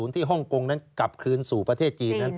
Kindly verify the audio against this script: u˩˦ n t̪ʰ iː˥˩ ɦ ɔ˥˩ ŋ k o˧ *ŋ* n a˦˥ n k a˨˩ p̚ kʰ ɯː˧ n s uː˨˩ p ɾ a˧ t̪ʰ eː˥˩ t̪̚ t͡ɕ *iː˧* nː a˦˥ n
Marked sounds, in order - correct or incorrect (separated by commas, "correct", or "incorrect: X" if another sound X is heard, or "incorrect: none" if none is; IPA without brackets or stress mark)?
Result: correct, correct